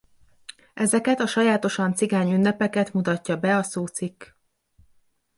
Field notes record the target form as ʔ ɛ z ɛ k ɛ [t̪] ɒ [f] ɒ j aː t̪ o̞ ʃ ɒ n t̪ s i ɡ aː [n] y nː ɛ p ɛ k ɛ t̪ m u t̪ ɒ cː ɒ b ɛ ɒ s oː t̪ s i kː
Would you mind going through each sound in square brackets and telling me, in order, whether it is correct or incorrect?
correct, incorrect, incorrect

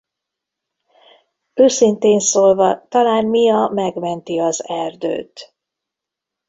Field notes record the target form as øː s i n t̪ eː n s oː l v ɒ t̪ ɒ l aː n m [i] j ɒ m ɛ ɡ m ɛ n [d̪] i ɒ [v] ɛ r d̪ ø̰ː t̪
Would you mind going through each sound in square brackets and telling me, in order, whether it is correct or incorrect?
correct, incorrect, incorrect

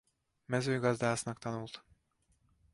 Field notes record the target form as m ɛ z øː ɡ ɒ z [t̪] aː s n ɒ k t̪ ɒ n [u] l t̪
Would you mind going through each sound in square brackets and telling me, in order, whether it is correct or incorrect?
incorrect, correct

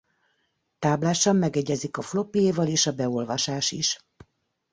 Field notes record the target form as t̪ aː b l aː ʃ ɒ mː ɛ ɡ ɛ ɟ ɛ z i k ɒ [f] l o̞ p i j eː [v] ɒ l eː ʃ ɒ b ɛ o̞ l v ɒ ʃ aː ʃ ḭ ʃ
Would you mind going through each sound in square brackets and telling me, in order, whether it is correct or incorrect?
correct, correct

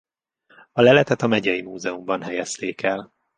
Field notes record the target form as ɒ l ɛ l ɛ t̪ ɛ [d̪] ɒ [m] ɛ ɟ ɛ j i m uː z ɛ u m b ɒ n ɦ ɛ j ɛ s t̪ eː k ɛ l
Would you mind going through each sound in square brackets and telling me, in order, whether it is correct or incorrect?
incorrect, correct

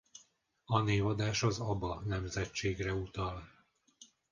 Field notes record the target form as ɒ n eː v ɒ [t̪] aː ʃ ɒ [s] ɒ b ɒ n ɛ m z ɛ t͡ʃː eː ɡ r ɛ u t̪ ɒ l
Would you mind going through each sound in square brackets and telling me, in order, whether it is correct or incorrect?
incorrect, incorrect

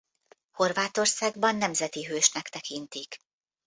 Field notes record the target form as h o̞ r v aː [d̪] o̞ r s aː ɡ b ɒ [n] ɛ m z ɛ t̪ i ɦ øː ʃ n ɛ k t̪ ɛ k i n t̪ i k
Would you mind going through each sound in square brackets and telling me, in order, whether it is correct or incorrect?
incorrect, incorrect

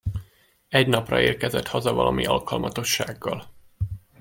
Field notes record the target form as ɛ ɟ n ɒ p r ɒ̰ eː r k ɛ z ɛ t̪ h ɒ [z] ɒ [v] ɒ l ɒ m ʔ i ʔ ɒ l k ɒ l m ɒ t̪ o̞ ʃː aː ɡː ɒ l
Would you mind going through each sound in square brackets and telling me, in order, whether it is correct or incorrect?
correct, correct

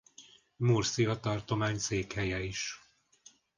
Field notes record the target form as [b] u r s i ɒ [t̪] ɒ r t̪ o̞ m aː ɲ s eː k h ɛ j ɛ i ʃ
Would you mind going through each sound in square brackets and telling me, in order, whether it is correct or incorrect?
incorrect, correct

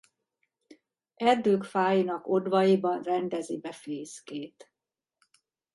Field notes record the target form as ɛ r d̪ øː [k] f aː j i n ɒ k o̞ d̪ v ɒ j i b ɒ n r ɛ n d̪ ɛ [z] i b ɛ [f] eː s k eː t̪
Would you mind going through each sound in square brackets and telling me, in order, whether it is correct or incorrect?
correct, correct, correct

